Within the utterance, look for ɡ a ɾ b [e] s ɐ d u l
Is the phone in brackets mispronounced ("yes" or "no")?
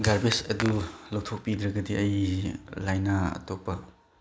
no